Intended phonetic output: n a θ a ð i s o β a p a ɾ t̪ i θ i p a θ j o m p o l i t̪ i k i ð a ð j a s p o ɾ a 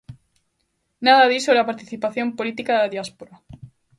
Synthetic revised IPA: n a ð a ð i s o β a p a ɾ t̪ i θ i p a θ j o m p o l i t̪ i k a ð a ð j a s p o ɾ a